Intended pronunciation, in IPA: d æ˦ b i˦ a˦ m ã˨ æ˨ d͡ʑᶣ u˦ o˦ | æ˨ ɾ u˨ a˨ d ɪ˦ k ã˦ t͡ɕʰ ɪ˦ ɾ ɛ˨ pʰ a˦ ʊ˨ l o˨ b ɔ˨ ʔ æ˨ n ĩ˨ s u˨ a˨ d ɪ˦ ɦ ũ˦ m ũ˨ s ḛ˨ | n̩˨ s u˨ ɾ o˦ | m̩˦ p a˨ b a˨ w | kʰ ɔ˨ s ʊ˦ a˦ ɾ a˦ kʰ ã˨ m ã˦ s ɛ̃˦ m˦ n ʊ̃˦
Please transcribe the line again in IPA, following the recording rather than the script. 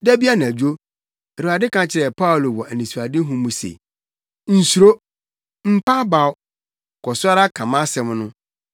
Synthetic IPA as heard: d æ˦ b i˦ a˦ n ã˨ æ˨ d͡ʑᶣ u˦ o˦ | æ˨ ɾ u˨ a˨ d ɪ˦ k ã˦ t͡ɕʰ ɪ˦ ɾ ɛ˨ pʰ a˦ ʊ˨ l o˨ w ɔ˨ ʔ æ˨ n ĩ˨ s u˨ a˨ d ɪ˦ ɦ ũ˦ m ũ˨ s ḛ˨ | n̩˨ s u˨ ɾ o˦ | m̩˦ p a˦ b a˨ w | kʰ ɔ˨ s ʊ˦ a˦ ɾ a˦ kʰ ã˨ m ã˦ s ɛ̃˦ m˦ n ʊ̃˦

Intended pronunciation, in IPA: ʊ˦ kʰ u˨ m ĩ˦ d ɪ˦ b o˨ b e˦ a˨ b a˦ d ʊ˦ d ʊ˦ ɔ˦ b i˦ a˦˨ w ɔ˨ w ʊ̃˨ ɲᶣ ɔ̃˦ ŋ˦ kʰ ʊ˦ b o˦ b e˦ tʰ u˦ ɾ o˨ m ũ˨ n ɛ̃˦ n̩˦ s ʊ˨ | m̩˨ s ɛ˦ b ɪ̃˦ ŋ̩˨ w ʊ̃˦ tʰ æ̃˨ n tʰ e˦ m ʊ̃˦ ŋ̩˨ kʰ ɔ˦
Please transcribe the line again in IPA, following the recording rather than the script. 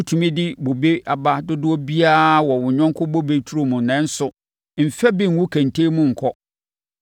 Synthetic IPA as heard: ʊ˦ tʰ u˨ m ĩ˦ d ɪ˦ b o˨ b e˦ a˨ b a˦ d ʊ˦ d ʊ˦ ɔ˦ b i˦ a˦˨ w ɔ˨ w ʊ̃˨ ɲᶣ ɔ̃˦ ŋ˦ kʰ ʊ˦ b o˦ b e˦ tʰ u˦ ɾ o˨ m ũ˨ n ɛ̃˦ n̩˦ s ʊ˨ | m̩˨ f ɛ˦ b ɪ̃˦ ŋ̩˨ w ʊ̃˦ kʰ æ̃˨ n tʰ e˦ m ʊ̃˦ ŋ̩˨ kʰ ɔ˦

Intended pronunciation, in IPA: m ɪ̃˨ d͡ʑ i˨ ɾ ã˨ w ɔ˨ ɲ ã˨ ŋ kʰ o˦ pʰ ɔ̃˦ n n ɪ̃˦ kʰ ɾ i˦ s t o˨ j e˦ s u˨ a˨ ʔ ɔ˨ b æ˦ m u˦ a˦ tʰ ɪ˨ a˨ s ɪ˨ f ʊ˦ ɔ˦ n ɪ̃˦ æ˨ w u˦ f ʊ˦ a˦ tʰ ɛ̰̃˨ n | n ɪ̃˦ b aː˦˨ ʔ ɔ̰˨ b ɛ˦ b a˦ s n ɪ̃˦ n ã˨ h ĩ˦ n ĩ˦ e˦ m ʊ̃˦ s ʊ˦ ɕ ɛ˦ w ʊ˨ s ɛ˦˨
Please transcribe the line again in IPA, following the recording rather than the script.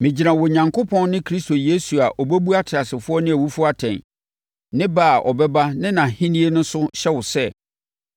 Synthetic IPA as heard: m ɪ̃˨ d͡ʑ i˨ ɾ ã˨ w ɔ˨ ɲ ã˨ ŋ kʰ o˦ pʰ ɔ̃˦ n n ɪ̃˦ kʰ ɾ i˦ s t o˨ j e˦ s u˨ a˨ ʔ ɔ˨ b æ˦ b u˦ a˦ tʰ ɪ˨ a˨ s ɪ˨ f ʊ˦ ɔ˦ n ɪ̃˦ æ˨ w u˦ f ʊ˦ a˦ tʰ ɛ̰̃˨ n | n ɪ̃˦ b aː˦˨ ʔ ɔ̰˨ b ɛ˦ b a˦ n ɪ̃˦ n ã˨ h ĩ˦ n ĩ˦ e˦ n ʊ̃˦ s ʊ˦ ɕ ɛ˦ w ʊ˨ s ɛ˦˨

